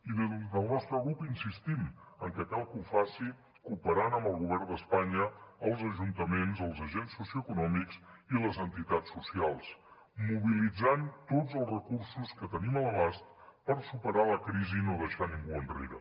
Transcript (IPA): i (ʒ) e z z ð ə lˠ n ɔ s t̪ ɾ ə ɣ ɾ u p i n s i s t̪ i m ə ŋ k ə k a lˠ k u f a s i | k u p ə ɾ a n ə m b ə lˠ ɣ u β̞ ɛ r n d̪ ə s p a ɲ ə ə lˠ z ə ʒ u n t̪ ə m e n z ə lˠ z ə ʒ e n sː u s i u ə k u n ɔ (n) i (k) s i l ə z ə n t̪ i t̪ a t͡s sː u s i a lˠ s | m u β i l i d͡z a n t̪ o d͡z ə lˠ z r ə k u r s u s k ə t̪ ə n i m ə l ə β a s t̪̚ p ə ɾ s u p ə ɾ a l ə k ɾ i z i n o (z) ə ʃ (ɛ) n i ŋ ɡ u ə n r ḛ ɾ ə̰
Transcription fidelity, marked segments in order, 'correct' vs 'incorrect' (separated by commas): incorrect, incorrect, correct, incorrect, incorrect